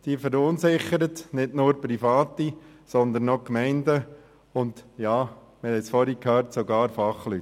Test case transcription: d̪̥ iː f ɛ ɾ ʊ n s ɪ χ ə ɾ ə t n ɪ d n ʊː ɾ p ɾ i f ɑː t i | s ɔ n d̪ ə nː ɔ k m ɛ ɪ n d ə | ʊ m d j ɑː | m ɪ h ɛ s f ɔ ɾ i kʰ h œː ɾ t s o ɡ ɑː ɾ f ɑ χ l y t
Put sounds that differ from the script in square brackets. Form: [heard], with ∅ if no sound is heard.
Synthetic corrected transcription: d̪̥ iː f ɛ ɾ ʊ n s ɪ χ ə ɾ ə t n ɪ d n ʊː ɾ p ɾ i f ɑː t i | s ɔ n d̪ ə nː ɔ k m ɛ ɪ n d ə | ʊ [n] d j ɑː | m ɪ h ɛ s f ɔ ɾ i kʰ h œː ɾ t s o ɡ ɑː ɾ f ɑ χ l y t

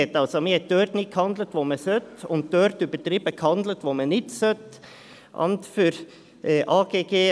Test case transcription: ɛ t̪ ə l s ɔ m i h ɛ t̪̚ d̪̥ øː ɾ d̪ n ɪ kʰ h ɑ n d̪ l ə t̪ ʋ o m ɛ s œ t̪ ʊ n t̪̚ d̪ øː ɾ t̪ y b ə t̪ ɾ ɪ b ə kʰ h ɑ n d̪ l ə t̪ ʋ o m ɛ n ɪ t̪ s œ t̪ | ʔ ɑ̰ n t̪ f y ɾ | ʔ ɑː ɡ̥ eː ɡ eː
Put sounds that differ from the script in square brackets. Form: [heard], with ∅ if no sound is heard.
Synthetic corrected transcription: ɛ t̪ [ɑ] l s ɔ m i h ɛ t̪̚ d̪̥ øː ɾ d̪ n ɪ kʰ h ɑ n d̪ l ə t̪ ʋ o m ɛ s œ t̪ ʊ n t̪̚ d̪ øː ɾ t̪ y b ə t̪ ɾ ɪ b ə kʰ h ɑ n d̪ l ə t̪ ʋ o m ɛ n ɪ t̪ s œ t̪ | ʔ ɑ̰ n t̪ f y ɾ | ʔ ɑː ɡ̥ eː ɡ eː

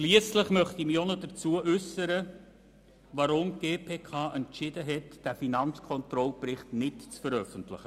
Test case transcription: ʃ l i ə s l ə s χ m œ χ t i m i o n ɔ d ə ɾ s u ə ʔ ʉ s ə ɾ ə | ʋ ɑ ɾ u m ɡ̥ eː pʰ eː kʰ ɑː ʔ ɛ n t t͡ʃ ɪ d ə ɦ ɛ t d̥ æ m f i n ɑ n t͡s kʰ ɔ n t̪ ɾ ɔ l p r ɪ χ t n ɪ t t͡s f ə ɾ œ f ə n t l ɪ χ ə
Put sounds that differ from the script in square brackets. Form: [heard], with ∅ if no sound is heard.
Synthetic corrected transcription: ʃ l i ə s l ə [∅] χ m œ χ t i m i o n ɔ d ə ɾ [t͡s] u ə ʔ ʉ s ə ɾ ə | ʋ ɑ ɾ [ʊ] m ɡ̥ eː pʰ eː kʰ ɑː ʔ ɛ n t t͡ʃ ɪ d ə ɦ ɛ t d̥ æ [∅] f i n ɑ n t͡s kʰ ɔ n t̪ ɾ ɔ l p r ɪ χ t n ɪ t t͡s f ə ɾ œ f ə n t l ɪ χ ə

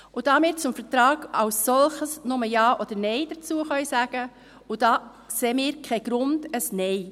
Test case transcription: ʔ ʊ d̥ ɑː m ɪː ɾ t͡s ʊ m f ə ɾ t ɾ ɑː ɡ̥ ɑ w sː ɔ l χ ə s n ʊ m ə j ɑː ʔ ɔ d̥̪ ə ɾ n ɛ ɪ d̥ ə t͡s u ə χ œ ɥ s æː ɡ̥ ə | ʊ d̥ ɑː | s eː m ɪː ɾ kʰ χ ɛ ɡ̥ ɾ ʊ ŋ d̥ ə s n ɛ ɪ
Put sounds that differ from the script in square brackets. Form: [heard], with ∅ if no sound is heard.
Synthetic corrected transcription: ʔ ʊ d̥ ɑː m ɪː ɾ t͡s ʊ m f ə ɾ t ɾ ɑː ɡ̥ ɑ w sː ɔ l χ ə s n ʊ m ə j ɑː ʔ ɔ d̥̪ ə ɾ n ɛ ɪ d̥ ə t͡s u ə χ œ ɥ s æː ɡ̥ ə | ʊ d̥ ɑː | s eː m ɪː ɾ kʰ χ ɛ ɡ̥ ɾ ʊ [n] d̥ ə s n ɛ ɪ

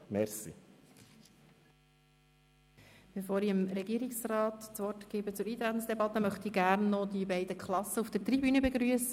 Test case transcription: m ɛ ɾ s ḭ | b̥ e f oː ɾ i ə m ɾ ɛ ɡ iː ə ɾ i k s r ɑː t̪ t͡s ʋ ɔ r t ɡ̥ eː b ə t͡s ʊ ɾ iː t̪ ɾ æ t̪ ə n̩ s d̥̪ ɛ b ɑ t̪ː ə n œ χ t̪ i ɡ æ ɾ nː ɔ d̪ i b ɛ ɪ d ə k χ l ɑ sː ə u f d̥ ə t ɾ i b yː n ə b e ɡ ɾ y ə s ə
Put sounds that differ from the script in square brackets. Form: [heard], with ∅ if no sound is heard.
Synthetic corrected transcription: m ɛ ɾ s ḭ | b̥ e f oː ɾ i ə m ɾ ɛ ɡ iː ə ɾ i k s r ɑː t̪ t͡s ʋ ɔ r t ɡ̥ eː b ə t͡s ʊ ɾ iː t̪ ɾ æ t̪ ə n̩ s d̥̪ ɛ b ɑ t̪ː ə [m] œ χ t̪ i ɡ æ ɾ nː ɔ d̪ i b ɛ ɪ d ə k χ l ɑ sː ə u f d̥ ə t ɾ i b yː n ə b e ɡ ɾ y ə s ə

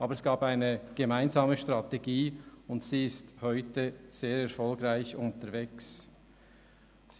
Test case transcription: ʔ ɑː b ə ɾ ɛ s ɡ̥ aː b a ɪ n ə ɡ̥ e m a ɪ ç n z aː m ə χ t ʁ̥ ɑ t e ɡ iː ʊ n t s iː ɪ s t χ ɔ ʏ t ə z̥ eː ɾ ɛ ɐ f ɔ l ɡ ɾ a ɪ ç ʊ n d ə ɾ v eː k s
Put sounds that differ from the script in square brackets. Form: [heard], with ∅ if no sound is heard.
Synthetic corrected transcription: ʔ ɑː b ə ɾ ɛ s ɡ̥ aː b a ɪ n ə ɡ̥ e m a ɪ [∅] n z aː m ə [ʃ] t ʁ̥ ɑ t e ɡ iː ʊ n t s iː ɪ s t [h] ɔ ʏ t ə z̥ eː ɾ ɛ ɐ f ɔ l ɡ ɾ a ɪ ç ʊ n [t] ə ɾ v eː k s

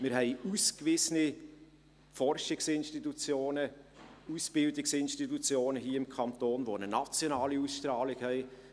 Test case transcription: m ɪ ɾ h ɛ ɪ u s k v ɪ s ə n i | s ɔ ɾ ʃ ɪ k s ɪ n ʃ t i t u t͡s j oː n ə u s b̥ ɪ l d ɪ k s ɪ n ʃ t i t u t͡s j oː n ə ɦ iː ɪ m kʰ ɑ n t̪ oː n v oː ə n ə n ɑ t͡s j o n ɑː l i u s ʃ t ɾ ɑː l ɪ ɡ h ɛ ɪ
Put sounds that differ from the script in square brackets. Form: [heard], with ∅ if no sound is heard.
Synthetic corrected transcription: m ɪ ɾ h ɛ ɪ u s k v ɪ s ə n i | [f] ɔ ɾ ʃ ɪ k s ɪ n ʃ t i t u t͡s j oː n ə u s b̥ ɪ l d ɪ k s ɪ n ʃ t i t u t͡s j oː n ə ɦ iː ɪ m kʰ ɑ n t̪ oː n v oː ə n ə n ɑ t͡s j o n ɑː l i u s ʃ t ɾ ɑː l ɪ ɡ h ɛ ɪ

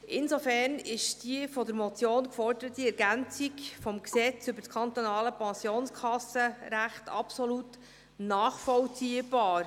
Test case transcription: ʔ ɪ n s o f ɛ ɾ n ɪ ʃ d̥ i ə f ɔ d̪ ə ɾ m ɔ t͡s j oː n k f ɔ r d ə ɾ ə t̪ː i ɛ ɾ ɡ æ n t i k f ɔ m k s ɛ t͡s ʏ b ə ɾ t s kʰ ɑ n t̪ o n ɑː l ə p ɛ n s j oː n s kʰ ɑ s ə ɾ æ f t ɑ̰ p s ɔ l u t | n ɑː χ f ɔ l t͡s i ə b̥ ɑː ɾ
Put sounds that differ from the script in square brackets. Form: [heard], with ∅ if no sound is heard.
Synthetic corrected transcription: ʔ ɪ n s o f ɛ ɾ n ɪ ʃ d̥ i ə f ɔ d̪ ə ɾ m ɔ t͡s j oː n k f ɔ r d ə ɾ ə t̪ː i ɛ ɾ ɡ æ n [t͡s] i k f ɔ m k s ɛ t͡s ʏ b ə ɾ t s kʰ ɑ n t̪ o n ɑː l ə p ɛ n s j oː n s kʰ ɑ s ə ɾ æ [χ] t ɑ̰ p s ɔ l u t | n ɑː χ f ɔ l t͡s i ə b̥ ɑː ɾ

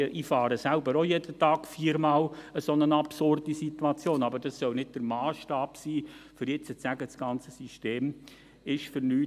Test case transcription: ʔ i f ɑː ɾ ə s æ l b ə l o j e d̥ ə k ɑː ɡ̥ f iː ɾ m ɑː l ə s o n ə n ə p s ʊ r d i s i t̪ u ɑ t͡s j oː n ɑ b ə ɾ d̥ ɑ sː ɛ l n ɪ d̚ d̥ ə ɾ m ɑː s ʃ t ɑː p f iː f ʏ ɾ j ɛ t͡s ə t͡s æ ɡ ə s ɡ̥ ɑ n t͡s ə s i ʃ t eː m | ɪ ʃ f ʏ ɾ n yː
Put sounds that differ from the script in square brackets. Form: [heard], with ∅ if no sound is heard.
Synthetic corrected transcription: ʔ i f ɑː ɾ ə s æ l b ə [ɾ] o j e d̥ ə [t] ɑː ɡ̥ f iː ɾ m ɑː l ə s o n ə n [ɑ] p s ʊ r d i s i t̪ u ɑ t͡s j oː n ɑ b ə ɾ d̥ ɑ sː [œ] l n ɪ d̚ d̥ ə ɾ m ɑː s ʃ t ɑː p [s] iː f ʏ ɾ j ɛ t͡s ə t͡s æ ɡ ə s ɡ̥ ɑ n t͡s ə s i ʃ t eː m | ɪ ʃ f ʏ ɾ n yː

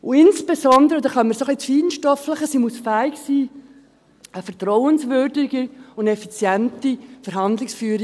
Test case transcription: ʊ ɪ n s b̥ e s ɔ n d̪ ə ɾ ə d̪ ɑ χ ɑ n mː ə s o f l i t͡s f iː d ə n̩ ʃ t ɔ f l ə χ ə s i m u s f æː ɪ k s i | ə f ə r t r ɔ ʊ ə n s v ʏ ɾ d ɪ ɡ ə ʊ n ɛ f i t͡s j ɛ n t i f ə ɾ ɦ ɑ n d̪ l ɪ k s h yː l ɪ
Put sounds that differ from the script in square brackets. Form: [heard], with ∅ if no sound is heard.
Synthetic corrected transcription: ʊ ɪ n s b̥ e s ɔ n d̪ ə ɾ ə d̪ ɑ χ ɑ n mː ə s o [χ] l i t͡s f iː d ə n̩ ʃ t ɔ f l ə χ ə s i m u s f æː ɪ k s [iː] | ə f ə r t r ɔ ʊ ə n s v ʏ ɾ d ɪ ɡ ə ʊ n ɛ f i t͡s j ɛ n t i f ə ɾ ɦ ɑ n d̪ l ɪ k s [f] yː [ɾ] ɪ

